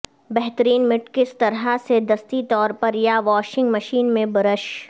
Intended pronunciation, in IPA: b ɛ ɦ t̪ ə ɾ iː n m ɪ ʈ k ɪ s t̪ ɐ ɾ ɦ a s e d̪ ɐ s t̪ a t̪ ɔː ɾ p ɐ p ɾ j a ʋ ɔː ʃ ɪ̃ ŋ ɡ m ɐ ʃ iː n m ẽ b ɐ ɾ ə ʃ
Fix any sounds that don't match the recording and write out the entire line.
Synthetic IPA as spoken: b ɛ ɦ t̪ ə ɾ iː n m ɪ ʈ k ɪ s t̪ ɐ ɾ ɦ a s e d̪ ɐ s t̪ i t̪ ɔː ɾ p ɐ ɾ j a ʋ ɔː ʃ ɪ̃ ŋ ɡ m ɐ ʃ iː n m ẽ b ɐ ɾ ə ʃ